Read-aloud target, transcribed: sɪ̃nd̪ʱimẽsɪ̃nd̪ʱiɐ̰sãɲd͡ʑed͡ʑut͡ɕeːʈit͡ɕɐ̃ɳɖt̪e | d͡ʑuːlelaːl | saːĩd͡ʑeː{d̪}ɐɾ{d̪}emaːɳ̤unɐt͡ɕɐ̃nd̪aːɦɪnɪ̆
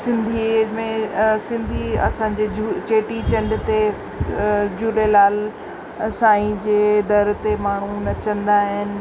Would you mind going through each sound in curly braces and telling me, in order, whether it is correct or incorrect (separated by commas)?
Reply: correct, incorrect